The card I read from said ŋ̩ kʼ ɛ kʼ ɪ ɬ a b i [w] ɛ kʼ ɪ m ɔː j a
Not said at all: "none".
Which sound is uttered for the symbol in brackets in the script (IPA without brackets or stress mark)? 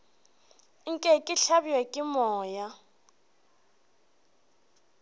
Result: w